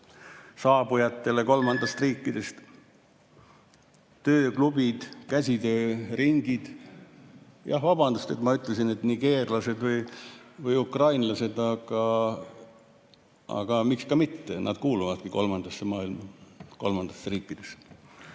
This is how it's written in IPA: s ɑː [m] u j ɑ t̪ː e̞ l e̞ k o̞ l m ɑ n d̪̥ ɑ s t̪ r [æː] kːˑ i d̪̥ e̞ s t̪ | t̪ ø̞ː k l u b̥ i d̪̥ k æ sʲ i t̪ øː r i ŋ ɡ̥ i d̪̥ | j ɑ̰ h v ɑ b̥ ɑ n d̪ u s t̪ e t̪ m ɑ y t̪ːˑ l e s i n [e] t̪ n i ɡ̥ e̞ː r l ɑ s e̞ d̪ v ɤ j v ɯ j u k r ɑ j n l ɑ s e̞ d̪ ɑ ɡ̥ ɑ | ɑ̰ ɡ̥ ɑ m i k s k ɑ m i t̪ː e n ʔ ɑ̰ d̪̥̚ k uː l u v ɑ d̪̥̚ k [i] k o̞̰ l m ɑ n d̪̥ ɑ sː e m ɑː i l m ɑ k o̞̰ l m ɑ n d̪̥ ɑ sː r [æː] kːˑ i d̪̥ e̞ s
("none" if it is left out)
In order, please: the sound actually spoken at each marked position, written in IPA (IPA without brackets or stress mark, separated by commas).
b, iː, e, i, iː